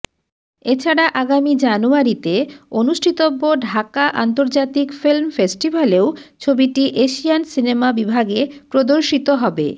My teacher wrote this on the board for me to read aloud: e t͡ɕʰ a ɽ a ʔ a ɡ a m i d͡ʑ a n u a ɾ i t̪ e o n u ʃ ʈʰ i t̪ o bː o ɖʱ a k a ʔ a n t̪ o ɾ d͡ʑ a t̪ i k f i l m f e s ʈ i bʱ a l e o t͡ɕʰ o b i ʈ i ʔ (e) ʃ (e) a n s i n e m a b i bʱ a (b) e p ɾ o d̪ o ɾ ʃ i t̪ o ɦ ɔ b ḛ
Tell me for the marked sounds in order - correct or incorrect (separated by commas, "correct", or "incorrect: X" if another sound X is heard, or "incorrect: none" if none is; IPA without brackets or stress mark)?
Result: correct, incorrect: i, incorrect: ɡ